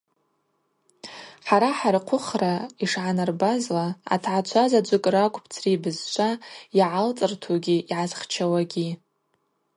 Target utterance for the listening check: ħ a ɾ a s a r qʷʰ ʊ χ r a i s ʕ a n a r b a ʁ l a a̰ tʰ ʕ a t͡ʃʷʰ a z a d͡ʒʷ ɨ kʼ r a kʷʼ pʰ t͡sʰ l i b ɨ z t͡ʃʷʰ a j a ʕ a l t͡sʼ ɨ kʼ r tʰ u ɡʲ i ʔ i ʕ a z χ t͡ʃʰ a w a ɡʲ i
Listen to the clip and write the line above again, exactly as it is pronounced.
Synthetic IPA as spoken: ħ a ɾ a ħ a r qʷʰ ʊ χ r a i ʂ ʕ a n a r b a z l a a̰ tʰ ʕ a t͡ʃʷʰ a z a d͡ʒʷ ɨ kʼ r a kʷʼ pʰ t͡sʰ r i b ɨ z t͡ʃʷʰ a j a ʕ a l t͡sʼ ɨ r tʰ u ɡʲ i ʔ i ʕ a z χ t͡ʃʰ a w a ɡʲ i